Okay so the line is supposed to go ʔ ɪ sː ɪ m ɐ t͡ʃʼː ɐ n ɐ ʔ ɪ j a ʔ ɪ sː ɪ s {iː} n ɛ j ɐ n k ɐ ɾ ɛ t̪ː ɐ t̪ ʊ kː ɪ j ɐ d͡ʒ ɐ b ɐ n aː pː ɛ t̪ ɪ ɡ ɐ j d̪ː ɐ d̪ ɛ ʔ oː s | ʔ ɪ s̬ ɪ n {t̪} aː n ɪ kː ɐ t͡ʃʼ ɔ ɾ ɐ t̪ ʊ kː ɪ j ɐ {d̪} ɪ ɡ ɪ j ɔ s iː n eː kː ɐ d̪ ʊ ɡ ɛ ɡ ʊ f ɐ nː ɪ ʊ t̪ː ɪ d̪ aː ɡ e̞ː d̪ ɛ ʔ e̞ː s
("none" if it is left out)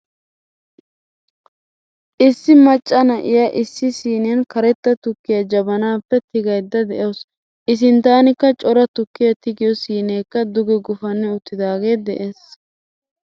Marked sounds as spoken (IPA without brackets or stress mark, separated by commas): iː, t̪, t̪